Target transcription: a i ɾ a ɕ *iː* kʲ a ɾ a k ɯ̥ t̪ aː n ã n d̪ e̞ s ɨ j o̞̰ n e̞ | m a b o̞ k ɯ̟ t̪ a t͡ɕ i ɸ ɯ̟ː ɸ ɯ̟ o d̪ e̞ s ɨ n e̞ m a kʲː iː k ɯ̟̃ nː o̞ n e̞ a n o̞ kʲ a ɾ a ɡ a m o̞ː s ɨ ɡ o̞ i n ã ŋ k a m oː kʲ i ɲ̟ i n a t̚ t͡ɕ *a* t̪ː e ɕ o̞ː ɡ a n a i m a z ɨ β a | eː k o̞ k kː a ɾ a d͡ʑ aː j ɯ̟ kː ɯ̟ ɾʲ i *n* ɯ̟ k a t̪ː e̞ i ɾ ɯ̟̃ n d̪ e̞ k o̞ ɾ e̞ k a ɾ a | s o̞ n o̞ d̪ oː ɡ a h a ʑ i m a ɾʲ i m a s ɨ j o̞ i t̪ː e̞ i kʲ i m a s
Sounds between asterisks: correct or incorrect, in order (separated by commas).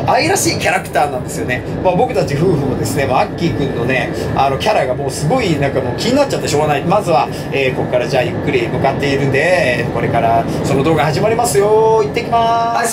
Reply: correct, correct, incorrect